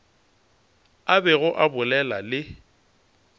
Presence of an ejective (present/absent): absent